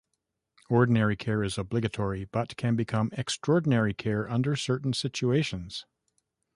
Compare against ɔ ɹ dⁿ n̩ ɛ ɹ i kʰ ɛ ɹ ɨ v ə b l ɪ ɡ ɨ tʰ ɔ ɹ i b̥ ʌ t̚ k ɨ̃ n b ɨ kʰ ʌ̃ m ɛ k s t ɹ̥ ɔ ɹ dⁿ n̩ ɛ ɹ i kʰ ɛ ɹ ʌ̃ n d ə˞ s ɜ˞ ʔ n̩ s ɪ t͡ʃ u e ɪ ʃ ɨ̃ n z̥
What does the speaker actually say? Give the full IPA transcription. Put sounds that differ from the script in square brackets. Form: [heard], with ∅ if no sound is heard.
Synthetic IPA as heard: ɔ ɹ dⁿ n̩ ɛ ɹ i kʰ ɛ ɹ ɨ [z] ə b l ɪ ɡ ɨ tʰ ɔ ɹ i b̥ ʌ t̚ [kʰ] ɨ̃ n b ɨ kʰ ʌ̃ m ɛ k s t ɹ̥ ɔ ɹ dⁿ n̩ ɛ ɹ i kʰ ɛ ɹ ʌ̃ n d ə˞ s ɜ˞ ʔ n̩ s ɪ t͡ʃ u e ɪ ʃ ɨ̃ n z̥